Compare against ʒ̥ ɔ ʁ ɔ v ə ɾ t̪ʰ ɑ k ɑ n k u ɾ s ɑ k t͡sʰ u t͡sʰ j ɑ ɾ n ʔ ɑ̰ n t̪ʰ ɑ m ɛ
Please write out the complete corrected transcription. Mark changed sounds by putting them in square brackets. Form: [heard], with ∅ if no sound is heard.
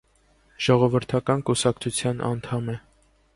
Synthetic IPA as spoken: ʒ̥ ɔ ʁ ɔ v ə ɾ t̪ʰ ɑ k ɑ n k u [∅] s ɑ k t͡sʰ u t͡sʰ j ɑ [∅] n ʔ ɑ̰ n t̪ʰ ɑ m ɛ